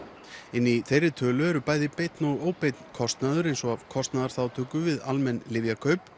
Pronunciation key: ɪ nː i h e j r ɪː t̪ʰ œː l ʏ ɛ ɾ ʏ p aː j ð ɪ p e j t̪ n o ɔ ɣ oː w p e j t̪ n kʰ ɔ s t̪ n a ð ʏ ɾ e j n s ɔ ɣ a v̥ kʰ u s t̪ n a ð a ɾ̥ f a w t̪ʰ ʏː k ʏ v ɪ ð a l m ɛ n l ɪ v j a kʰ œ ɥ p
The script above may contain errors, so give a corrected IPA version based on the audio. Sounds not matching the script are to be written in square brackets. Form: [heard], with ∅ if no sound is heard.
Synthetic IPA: ɪ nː i [θ] e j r [ɪ] t̪ʰ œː l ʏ ɛ ɾ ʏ p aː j ð ɪ p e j t̪ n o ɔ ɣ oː w p e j t̪ n kʰ ɔ s t̪ n a ð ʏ ɾ e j n s ɔ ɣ a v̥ kʰ [ɔ] s t̪ n a ð a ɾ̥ [θ] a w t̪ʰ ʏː k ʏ v ɪ ð a l m ɛ n l ɪ v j a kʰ œ ɥ p